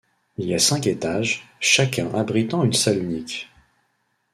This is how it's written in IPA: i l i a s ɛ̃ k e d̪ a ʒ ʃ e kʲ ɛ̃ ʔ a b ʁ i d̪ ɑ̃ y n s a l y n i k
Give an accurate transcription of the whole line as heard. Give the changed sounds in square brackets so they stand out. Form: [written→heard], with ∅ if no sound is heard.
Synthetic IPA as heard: i l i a s ɛ̃ k e [d̪→t̪] a ʒ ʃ [e→a] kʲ ɛ̃ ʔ a b ʁ i [d̪→t̪] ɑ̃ y n s a l y n i k